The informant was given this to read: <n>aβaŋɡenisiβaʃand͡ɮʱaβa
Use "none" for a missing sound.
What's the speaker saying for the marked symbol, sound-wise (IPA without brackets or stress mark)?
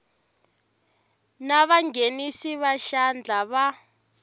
n